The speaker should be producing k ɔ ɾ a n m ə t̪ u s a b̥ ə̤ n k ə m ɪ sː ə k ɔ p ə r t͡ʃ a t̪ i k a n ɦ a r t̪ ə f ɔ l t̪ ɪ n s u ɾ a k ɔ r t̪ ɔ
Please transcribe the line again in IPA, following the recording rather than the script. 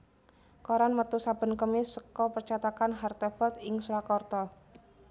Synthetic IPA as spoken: k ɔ ɾ a n m ə t̪ u s a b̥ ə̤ n k ə m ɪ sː ə k ɔ p ə r t͡ʃ a t̪ a k a n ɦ a r t̪ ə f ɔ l t̪ ɪ ŋ s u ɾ a k ɔ r t̪ ɔ